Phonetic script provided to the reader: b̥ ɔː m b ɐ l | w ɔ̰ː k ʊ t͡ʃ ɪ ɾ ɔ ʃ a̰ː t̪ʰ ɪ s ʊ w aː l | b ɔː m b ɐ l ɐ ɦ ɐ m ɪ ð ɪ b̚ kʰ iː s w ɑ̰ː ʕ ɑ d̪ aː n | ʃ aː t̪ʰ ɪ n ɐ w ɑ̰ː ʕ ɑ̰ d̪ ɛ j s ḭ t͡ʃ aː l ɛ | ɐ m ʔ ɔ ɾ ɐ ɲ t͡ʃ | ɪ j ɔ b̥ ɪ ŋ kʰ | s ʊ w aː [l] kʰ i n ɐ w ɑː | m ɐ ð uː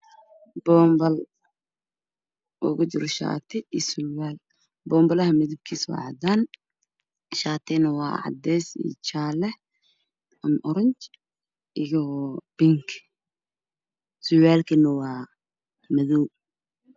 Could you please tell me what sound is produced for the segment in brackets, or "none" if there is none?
l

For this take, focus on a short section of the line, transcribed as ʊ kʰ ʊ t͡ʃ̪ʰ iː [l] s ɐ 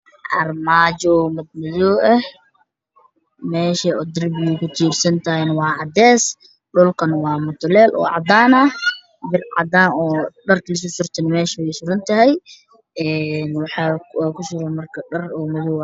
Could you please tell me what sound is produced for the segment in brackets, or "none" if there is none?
r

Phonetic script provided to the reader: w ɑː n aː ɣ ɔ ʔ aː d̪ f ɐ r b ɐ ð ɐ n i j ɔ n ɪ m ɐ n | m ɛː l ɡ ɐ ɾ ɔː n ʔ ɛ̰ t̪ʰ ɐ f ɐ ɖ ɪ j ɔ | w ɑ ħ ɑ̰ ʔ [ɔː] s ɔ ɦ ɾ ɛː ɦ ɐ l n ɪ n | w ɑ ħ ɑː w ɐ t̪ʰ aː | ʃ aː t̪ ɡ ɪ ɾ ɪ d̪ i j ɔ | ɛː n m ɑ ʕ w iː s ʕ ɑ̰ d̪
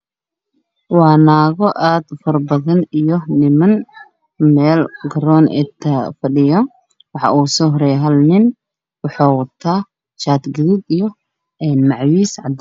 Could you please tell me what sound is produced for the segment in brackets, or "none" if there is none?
uː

